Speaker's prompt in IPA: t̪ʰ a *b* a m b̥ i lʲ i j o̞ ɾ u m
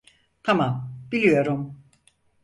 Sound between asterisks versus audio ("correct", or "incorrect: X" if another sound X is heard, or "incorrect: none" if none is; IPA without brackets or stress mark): incorrect: m